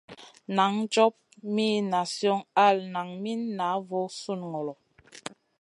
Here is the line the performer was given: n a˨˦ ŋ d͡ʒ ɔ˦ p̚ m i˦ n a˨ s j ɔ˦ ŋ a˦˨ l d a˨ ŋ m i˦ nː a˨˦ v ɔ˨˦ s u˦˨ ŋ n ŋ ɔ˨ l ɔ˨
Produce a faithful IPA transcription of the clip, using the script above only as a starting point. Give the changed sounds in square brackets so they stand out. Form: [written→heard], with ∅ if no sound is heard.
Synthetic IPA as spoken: n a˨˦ ŋ d͡ʒ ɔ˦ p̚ m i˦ n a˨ s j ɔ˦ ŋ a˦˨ l [d→n] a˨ ŋ m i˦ nː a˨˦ v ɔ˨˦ s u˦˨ [ŋ→∅] n ŋ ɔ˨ l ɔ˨